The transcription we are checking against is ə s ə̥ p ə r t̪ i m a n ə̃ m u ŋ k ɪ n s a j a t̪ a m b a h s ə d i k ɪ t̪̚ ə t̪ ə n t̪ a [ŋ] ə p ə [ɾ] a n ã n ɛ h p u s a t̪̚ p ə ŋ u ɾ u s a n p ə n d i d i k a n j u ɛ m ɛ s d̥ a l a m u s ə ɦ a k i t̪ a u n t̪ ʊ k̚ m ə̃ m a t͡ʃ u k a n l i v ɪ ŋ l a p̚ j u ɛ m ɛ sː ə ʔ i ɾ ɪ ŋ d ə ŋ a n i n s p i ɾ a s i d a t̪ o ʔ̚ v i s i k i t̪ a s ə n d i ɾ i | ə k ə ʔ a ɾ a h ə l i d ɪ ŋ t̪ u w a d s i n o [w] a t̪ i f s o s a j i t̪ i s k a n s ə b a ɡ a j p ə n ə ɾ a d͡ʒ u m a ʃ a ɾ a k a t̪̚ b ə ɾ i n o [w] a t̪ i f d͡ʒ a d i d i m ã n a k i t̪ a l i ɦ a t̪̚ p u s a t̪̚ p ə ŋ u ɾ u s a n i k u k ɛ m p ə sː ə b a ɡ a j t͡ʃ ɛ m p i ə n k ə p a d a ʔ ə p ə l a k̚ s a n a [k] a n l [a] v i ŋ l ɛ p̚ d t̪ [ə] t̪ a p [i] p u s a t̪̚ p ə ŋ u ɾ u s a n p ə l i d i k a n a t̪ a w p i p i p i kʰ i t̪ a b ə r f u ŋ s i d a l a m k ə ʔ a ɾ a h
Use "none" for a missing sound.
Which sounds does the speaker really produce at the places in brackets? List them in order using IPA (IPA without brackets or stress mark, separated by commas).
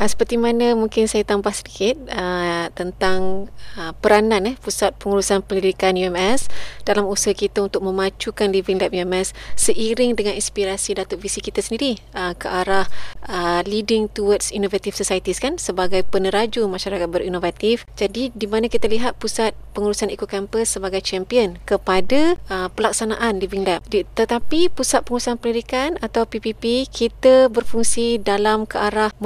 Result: ŋ, ɾ, v, v, ʔ, i, ə, i